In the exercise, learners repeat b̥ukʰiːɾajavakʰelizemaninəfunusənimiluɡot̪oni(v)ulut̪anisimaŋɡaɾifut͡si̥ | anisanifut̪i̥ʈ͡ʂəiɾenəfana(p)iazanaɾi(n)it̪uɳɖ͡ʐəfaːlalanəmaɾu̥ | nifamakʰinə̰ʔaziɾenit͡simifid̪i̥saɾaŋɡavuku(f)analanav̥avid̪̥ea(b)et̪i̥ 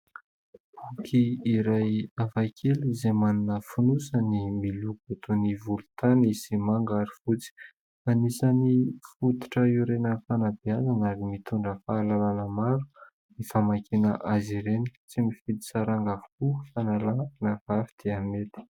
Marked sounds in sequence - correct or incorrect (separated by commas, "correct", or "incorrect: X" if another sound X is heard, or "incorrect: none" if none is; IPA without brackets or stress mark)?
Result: correct, incorrect: b, incorrect: m, correct, incorrect: m